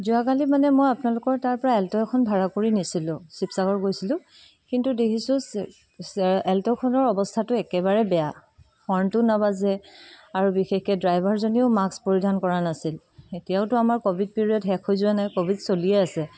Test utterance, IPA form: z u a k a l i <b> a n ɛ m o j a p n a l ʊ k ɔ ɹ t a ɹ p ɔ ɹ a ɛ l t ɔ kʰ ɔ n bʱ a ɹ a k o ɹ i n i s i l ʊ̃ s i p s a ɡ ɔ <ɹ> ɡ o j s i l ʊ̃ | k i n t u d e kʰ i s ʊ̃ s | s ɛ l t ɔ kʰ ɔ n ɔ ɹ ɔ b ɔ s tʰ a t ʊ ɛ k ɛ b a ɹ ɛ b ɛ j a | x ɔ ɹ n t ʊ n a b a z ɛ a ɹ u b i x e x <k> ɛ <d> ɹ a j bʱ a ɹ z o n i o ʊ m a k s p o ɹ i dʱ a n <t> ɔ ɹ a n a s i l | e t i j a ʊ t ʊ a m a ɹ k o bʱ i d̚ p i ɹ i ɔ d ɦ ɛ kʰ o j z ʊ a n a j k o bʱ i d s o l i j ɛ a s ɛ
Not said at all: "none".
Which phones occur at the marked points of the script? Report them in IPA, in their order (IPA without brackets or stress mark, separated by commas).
m, ɹ, k, d, k